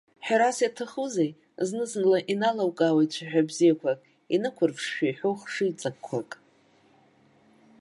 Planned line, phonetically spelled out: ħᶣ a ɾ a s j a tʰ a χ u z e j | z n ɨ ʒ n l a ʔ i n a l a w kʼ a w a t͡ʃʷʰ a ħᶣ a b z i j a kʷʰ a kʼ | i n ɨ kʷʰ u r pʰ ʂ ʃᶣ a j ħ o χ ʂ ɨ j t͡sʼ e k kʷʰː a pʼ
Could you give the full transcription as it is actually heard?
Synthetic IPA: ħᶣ a ɾ a s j a tʰ a χ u z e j | z n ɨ z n l a ʔ i n a l a w kʼ a w a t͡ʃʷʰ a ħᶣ a b z i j a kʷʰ a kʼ | i n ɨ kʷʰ ʊ r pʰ ʂ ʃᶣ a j ħ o χ ʂ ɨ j t͡sʼ a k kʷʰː a kʼ